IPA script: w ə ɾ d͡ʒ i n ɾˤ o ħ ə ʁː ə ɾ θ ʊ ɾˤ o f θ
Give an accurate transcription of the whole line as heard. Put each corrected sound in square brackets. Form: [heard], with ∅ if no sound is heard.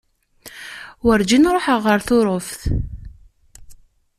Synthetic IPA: w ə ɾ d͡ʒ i n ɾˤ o ħ ə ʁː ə ɾ θ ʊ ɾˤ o f θ